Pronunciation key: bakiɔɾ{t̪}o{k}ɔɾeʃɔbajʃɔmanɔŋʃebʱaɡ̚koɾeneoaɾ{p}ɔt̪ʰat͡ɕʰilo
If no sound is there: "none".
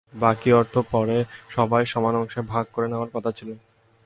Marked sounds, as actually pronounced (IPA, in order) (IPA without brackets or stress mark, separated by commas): t̪ʰ, p, k